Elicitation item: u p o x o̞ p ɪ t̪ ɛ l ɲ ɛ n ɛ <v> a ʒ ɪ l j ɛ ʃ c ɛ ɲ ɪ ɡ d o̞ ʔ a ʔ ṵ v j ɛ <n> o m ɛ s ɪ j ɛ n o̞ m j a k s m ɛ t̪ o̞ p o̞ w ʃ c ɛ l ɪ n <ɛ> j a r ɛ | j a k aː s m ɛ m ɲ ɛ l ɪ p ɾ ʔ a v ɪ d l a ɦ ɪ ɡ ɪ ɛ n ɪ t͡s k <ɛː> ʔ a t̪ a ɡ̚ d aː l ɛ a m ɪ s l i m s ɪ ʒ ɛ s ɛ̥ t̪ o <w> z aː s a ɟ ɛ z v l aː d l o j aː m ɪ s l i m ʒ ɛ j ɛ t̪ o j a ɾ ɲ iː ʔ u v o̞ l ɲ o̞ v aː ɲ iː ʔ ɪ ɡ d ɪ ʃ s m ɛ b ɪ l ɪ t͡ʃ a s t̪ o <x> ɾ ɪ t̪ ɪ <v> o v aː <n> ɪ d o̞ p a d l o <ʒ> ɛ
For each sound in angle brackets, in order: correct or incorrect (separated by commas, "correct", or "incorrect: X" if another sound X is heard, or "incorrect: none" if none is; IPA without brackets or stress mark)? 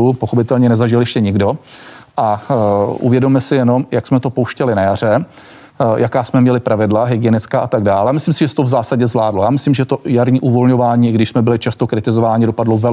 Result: incorrect: z, incorrect: d, incorrect: a, incorrect: aː, incorrect: v, incorrect: k, incorrect: z, incorrect: ɲ, incorrect: v